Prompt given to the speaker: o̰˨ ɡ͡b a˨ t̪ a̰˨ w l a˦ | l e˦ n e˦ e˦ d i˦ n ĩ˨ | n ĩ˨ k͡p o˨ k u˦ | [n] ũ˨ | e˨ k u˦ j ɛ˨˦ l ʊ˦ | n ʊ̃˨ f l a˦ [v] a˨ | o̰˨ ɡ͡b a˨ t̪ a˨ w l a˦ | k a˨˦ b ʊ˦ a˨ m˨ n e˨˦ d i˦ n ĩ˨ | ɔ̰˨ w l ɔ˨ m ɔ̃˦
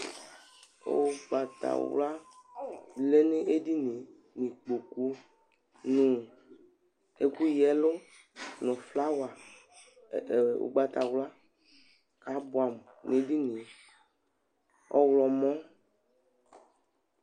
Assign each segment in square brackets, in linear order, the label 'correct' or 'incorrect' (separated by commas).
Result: correct, incorrect